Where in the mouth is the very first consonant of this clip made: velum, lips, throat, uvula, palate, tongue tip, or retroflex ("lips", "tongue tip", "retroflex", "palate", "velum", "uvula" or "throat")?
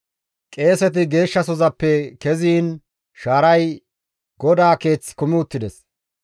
velum